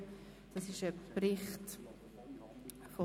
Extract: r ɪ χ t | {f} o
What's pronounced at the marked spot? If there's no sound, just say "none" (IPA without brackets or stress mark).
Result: f